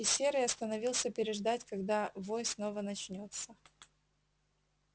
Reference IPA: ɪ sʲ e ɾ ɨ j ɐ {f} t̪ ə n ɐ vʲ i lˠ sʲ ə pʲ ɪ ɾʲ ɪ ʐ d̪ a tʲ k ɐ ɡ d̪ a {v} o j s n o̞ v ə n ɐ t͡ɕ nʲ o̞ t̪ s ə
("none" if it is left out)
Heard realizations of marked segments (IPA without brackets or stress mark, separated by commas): s, v